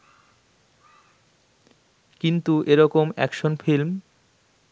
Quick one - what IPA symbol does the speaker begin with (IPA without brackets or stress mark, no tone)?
k